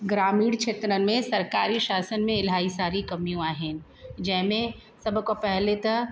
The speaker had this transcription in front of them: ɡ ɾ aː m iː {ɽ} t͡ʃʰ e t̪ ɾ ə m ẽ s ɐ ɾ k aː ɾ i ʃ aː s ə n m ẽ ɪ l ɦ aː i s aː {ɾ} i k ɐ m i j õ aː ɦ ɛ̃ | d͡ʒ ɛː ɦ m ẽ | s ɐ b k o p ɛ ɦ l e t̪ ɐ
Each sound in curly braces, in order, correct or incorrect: correct, correct

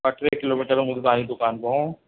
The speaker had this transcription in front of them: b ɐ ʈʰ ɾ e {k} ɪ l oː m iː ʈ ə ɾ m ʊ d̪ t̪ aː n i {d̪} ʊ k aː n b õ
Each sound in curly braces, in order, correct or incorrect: correct, correct

